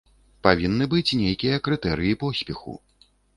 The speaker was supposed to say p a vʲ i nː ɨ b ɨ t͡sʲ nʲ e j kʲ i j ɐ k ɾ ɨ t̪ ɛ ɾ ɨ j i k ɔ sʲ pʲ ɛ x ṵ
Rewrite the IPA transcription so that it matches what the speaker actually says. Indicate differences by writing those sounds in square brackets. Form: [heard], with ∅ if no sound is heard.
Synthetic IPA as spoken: p a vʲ i nː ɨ b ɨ t͡sʲ nʲ e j kʲ i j ɐ k ɾ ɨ t̪ ɛ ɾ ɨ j i [p] ɔ sʲ pʲ ɛ x ṵ